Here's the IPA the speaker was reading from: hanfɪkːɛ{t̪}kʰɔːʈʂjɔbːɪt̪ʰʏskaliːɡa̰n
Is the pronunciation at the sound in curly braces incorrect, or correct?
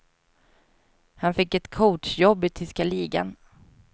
correct